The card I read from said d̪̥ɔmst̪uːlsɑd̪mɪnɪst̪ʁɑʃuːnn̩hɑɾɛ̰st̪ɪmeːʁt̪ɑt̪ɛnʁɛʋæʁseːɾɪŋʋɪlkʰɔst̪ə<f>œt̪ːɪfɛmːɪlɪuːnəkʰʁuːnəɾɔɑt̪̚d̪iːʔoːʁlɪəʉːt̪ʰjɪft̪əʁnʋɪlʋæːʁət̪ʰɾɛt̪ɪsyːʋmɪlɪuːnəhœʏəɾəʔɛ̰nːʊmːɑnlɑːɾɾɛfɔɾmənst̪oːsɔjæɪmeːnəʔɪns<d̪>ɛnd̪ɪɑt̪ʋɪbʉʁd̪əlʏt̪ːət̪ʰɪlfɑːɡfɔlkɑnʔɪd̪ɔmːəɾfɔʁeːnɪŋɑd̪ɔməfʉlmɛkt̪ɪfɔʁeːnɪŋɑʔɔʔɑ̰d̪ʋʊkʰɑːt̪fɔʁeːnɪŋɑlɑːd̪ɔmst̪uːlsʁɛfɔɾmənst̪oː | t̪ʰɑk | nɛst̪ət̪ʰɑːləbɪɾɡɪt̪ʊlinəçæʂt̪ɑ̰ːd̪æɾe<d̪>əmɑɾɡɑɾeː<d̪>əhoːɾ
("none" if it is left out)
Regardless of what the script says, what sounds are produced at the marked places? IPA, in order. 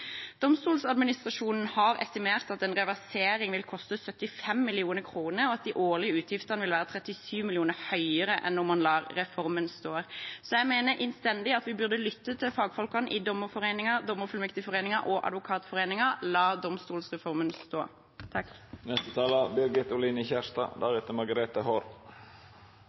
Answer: s, t̪, t̪, t̪

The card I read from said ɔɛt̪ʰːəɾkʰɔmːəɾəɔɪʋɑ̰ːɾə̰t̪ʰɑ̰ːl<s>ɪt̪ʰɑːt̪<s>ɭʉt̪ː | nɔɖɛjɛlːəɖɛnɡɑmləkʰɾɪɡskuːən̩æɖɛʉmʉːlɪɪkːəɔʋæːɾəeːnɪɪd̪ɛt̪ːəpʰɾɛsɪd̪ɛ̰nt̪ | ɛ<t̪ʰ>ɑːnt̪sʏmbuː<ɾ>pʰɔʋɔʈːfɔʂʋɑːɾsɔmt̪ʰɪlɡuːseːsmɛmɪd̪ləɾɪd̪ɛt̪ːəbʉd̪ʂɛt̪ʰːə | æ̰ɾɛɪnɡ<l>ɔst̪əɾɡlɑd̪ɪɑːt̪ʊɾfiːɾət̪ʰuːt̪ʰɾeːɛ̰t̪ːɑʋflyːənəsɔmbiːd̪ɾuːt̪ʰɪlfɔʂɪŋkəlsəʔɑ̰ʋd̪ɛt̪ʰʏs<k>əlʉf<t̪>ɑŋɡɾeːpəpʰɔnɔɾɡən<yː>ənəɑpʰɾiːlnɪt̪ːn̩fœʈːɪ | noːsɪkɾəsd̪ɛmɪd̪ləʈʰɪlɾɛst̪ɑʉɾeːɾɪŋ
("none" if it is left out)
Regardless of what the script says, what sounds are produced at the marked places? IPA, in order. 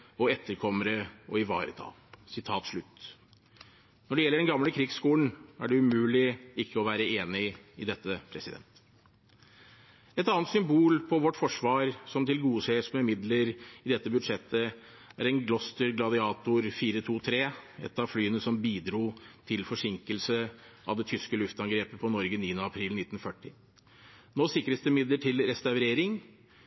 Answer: s, ʂ, t̪, l, l, k, t̪, iː

